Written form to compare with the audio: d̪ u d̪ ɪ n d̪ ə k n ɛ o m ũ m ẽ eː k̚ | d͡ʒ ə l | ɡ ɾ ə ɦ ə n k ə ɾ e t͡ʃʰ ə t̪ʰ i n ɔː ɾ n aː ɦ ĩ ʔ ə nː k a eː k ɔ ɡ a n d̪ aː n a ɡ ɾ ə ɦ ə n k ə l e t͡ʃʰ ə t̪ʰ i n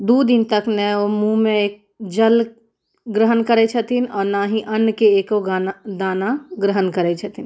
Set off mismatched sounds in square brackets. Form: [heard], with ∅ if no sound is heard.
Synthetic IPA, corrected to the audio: d̪ u d̪ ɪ n [t̪] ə k n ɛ o m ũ m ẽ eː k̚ | d͡ʒ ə l | ɡ ɾ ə ɦ ə n k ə ɾ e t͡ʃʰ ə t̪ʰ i n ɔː ɾ n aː ɦ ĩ ʔ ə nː k [e] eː k [o] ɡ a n d̪ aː n a ɡ ɾ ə ɦ ə n k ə [ɾ] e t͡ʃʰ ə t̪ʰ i n